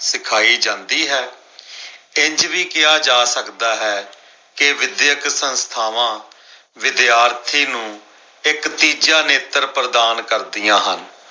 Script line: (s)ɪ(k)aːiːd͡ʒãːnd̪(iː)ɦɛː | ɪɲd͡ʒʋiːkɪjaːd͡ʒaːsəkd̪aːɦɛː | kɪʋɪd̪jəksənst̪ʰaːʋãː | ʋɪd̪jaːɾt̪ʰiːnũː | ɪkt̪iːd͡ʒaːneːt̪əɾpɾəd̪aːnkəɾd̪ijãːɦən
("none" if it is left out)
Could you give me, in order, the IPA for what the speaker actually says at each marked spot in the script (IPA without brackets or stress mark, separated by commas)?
s, kʰ, iː